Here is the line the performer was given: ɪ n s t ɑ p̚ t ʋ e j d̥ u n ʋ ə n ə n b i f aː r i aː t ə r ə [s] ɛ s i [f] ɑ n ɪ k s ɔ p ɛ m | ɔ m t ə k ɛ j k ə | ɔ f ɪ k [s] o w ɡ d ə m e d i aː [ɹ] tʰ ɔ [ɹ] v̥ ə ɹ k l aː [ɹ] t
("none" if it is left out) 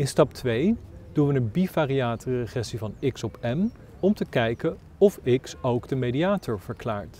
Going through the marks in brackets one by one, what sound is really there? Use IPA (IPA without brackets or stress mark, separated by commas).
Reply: χ, v, s, none, ɹ, ɹ